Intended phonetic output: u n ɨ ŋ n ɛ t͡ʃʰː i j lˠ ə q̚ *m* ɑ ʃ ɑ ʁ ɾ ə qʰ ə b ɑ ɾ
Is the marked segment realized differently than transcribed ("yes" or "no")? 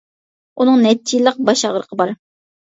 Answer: yes